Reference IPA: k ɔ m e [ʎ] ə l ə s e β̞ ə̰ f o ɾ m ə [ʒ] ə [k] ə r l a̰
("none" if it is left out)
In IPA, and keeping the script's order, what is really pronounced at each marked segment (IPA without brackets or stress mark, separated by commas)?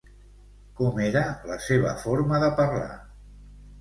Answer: ɾ, ð, p